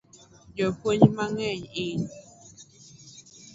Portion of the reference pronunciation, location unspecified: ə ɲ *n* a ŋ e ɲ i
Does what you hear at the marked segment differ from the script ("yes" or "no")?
yes